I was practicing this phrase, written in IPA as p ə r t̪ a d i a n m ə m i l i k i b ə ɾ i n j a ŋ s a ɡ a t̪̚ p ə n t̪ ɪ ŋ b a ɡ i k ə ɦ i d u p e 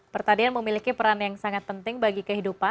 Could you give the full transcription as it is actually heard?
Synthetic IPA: p ə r t̪ a d i a n m ə m i l i k i p ə ɾ a n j a ŋ s a ŋ a t̪̚ p ə n t̪ ɪ ŋ b a ɡ i k ə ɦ i d u p a